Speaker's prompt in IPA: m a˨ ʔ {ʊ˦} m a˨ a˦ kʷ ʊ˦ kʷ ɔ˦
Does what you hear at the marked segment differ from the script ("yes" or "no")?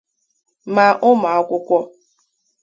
no